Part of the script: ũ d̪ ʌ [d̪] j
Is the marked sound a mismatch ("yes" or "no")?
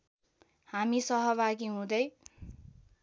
yes